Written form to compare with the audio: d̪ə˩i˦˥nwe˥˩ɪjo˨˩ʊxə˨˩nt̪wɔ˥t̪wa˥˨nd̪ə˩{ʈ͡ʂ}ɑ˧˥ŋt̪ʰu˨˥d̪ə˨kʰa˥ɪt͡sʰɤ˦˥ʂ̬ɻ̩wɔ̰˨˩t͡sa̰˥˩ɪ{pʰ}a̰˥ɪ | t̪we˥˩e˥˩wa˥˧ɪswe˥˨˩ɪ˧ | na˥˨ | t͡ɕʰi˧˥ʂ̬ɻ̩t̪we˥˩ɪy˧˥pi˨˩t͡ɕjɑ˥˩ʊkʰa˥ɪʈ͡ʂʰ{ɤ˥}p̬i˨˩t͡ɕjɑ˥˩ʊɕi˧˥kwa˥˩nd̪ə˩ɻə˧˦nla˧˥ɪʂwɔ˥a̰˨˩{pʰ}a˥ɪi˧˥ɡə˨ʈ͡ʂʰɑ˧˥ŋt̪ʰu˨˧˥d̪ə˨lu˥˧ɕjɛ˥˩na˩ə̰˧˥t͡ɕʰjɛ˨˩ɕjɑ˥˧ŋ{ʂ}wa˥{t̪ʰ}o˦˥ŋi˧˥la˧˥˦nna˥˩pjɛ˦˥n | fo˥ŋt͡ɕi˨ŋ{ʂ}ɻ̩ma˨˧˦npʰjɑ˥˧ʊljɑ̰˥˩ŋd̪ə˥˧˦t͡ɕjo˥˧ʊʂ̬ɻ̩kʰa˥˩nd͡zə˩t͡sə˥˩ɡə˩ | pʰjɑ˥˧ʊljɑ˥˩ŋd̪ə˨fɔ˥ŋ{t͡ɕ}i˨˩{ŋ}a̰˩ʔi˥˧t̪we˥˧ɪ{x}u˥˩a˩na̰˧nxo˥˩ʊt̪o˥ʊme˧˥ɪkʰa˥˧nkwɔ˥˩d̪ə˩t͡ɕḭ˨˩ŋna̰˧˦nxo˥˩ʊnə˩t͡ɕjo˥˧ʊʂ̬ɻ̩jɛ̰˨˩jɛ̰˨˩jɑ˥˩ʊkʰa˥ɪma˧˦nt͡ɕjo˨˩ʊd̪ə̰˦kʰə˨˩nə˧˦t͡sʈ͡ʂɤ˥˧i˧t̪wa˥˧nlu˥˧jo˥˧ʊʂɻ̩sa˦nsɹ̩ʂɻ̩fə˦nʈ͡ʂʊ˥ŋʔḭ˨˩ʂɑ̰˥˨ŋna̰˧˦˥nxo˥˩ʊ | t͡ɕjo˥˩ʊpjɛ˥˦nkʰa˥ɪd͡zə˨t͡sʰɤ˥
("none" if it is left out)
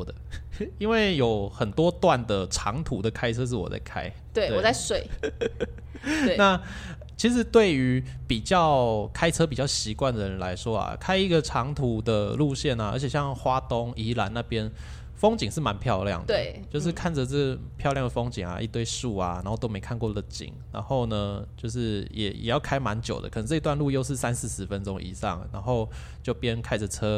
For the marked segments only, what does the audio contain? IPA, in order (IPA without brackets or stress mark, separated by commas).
ʈ͡ʂʰ, kʰ, ɤ˥, kʰ, x, t̪, ʂ, t͡ɕ, ŋ, ʂ